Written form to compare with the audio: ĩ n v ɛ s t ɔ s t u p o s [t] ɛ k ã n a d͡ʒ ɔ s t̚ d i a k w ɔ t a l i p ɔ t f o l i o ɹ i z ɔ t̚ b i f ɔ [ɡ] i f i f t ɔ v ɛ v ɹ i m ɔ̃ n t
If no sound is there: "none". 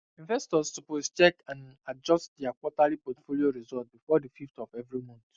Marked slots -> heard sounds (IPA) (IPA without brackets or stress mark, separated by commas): t͡ʃ, d